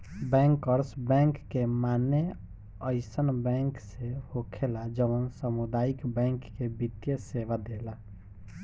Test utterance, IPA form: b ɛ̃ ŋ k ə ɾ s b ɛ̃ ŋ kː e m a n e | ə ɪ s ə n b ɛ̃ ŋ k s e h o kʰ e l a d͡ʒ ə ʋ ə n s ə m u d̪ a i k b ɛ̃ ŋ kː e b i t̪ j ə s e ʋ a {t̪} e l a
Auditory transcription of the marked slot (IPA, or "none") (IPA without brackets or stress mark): d̪